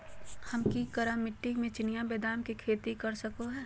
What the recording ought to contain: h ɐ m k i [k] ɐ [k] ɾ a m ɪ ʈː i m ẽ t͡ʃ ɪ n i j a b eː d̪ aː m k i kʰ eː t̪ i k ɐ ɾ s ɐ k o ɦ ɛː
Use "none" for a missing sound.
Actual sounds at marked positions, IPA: k, none

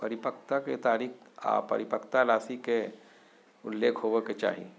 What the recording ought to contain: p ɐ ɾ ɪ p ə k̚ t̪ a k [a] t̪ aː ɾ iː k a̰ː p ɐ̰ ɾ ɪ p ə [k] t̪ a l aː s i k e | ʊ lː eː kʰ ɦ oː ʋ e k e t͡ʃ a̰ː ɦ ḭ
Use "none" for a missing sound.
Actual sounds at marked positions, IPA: e, k

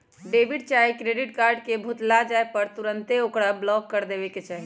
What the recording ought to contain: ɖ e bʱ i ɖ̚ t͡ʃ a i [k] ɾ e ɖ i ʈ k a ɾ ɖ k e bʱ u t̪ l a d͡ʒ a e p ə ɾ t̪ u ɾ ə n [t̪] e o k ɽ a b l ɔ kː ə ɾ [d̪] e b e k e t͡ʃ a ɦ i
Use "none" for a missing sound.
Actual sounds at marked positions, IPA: k, t̪, d̪

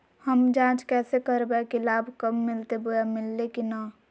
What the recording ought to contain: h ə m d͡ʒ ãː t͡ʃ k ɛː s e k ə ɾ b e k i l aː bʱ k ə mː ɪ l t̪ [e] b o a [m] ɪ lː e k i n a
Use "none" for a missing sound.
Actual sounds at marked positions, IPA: e, m

